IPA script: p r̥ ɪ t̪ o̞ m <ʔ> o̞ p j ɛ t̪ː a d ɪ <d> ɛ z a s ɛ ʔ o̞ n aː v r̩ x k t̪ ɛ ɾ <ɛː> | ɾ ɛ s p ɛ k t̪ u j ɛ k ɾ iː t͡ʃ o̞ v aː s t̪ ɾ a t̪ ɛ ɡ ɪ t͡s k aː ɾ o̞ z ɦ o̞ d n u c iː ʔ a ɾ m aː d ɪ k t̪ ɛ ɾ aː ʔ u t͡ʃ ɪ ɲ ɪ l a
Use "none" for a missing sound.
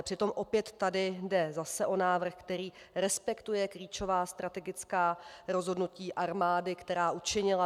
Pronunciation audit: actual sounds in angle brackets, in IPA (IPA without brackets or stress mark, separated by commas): ʔ, d, iː